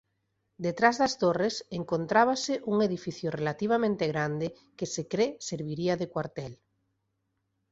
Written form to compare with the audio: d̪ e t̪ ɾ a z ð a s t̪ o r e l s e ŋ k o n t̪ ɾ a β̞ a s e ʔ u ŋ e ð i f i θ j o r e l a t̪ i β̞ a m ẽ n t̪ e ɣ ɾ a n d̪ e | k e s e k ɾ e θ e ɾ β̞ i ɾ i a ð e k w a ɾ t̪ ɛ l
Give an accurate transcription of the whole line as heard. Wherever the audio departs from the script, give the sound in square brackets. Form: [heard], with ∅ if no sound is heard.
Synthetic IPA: d̪ e t̪ ɾ a z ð a s t̪ o r e [∅] s e ŋ k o n t̪ ɾ a β̞ a s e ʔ u ŋ e ð i f i θ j o r e l a t̪ i β̞ a m ẽ n t̪ e ɣ ɾ a n d̪ e | k e s e k ɾ e [s] e ɾ β̞ i ɾ i a ð e k w a ɾ t̪ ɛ l